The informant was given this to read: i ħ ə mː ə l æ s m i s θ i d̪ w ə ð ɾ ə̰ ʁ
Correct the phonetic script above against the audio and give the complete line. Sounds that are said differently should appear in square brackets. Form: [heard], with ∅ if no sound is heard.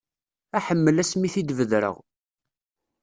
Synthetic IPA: [æ] ħ ə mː ə l æ s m i [∅] θ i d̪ [v] ə ð ɾ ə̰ ʁ